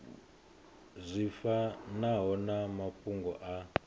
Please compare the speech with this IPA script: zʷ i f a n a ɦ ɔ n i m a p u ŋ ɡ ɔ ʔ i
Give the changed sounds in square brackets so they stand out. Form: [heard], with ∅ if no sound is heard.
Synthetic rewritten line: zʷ i f a n a ɦ ɔ n [a] m a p u ŋ ɡ ɔ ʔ [a]